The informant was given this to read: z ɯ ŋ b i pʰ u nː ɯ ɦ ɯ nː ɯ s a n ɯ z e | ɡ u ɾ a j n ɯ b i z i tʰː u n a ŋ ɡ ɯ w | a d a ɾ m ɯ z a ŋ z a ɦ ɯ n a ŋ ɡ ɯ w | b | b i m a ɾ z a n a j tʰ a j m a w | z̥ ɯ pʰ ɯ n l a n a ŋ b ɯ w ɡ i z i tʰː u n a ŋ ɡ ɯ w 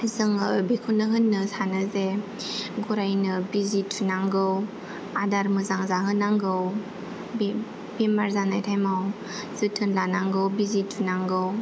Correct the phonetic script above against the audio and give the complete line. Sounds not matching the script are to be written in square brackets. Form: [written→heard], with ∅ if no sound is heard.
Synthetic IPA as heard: z ɯ ŋ b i [pʰ→kʰ] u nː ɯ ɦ ɯ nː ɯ s a n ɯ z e | ɡ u ɾ a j n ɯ b i z i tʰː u n a ŋ ɡ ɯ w | a d a ɾ m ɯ z a ŋ z a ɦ ɯ n a ŋ ɡ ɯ w | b | b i m a ɾ z a n a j tʰ a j m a w | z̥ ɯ [pʰ→tʰ] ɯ n l a n a ŋ [b→ɡ] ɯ w [ɡ→b] i z i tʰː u n a ŋ ɡ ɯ w